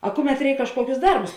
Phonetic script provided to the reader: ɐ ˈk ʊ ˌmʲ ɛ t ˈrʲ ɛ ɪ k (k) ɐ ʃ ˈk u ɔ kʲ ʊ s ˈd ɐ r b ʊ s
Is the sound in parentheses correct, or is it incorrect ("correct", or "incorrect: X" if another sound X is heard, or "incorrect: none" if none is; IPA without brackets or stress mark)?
correct